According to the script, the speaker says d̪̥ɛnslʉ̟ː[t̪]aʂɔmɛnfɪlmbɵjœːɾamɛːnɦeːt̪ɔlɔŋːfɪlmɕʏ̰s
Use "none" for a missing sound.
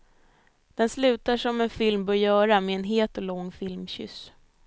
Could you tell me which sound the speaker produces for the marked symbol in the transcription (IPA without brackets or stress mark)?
t̪